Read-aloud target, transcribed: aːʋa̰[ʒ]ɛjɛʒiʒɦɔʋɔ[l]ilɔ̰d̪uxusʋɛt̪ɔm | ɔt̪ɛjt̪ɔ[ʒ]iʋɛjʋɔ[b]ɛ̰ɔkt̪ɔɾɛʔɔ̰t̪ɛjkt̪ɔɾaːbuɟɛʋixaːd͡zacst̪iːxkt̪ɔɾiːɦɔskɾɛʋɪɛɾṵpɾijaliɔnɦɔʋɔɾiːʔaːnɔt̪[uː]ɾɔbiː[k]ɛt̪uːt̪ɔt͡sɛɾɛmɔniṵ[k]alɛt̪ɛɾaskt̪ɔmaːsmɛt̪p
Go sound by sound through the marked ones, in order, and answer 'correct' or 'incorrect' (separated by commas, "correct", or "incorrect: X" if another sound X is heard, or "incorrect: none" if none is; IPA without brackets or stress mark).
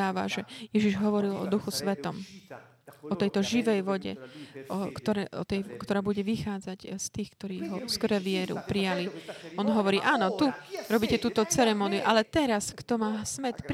correct, incorrect: ɾ, correct, incorrect: ɟ, incorrect: u, incorrect: c, incorrect: ʔ